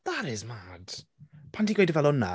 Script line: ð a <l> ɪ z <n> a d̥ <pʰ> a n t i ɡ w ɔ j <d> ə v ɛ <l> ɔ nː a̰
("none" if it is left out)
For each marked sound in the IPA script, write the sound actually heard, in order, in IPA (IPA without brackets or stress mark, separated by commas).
ɾ, m, pʰ, d, l